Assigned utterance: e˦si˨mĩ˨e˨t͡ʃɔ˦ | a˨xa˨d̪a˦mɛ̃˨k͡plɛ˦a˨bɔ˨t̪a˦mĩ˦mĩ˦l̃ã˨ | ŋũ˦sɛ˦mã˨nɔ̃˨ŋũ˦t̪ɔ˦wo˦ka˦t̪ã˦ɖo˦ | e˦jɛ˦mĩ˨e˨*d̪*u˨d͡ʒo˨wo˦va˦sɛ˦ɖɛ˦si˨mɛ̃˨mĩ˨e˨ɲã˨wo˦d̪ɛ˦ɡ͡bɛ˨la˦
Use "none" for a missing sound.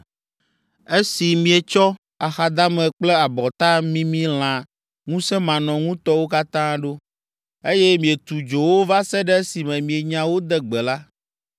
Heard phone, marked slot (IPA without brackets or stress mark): t̪